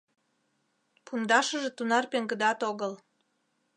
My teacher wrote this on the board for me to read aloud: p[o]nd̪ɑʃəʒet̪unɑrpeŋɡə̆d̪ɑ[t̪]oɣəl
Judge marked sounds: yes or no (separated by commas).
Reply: no, yes